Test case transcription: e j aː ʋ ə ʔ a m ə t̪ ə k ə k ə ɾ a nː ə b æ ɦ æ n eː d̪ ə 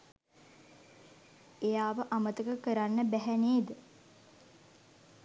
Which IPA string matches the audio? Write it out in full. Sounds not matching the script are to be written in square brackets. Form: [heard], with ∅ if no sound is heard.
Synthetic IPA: e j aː ʋ ə ʔ a m ə t̪ ə k ə k ə ɾ a nː ə b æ ɦ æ n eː d̪ ə

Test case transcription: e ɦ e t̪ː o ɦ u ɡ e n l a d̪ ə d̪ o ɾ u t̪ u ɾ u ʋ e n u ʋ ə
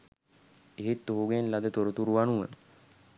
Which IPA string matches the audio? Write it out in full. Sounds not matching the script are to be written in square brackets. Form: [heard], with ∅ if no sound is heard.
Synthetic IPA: e ɦ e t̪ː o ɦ u ɡ e n l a d̪ ə [t̪] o ɾ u t̪ u ɾ u ʋ [a] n u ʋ ə

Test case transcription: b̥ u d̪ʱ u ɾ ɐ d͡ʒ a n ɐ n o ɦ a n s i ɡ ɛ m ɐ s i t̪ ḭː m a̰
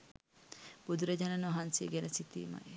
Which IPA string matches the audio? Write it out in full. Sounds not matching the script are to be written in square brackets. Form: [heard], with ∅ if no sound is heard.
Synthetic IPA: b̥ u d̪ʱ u ɾ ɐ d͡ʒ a n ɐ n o ɦ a n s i ɡ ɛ [n] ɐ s i t̪ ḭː m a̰

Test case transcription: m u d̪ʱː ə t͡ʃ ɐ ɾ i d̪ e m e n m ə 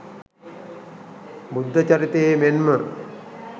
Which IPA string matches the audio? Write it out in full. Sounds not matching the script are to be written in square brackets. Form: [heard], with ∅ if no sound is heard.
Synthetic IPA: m u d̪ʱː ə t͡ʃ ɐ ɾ i [t̪] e m e n m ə

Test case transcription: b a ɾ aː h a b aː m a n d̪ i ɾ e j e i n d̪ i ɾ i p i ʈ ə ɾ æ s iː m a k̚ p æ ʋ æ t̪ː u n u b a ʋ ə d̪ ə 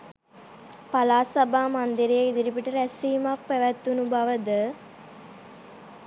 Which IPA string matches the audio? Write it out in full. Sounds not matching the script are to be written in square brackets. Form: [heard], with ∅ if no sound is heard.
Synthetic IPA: [p] a [l] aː [s] a b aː m a n d̪ i ɾ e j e i [∅] d̪ i ɾ i p i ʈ ə ɾ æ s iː m a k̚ p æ ʋ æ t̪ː u n u b a ʋ ə d̪ ə

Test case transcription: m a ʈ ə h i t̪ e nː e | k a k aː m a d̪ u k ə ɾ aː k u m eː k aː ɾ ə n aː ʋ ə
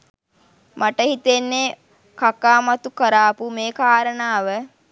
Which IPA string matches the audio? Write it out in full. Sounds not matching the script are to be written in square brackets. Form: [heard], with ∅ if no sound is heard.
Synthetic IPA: m a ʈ ə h i t̪ e nː e | k a k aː m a [t̪] u k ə ɾ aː [p] u m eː k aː ɾ ə n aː ʋ ə

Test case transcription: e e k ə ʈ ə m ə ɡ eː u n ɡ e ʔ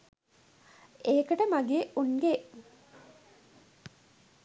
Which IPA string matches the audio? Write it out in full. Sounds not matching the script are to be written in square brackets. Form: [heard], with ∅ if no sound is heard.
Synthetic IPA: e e k ə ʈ ə m [a] ɡ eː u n ɡ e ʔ

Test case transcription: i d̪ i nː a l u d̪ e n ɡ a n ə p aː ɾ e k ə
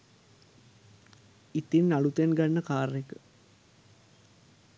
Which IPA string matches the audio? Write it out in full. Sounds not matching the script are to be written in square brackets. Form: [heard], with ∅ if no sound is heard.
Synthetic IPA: i [t̪] i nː a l u [t̪] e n ɡ a [nː] ə [k] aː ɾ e k ə

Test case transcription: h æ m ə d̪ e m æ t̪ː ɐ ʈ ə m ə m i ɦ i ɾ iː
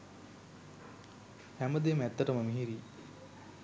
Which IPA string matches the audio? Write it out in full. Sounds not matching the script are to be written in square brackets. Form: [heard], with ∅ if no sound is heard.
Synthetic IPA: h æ m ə d̪ e m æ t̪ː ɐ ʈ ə m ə m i ɦ i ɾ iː

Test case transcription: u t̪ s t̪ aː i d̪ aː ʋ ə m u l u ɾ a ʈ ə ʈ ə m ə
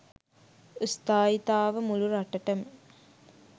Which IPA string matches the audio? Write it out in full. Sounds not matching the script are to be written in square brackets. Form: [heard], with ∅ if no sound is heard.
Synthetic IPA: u [∅] s t̪ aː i [t̪] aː ʋ ə m u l u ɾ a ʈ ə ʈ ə m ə

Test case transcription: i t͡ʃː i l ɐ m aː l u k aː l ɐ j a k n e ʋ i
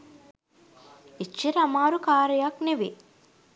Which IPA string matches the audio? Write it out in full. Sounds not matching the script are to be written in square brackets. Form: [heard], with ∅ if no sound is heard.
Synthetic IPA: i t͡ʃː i [ɾ] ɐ m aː [ɾ] u k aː [ɾ] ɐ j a k n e ʋ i

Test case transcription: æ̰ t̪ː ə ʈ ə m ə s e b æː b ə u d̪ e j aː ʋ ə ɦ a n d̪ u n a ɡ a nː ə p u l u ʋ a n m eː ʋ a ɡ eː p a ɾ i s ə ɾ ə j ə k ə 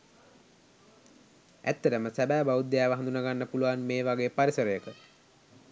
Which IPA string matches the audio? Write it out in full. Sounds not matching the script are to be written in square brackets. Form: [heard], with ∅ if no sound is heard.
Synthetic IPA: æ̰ t̪ː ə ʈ ə m ə s [æ] b æː b [a] u d̪ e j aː ʋ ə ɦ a n d̪ u n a ɡ a nː ə p u l u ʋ a n m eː ʋ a ɡ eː p a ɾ i s ə ɾ ə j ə k ə

